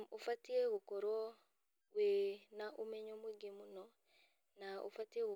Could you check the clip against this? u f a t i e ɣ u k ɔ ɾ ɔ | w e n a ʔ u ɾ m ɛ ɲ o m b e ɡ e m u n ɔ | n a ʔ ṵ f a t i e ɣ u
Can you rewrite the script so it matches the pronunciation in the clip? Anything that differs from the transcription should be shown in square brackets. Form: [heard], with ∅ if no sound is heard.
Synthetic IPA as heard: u f a t i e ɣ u k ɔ ɾ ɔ | w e n a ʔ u [∅] m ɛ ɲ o m [w] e ɡ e m u n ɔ | n a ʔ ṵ f a t i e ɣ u